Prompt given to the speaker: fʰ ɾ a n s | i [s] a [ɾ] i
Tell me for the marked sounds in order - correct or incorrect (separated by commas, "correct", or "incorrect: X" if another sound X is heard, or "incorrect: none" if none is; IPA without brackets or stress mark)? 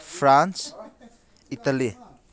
incorrect: t, incorrect: l